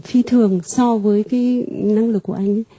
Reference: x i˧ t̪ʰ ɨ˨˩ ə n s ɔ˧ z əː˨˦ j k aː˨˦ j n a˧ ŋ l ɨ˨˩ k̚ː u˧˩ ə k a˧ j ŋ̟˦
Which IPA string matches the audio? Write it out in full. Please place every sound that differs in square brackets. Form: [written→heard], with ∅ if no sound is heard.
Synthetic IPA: [x→f] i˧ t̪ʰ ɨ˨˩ ə [n→ŋ] s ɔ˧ [z→v] əː˨˦ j k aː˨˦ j n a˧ ŋ l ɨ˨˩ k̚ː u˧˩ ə [k→ʔ] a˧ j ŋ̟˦